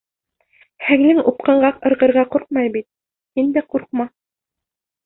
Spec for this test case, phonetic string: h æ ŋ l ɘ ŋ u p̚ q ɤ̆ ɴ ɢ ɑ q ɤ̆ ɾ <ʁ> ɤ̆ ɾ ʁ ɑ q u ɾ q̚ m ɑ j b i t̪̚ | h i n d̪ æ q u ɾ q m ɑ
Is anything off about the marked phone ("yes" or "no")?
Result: no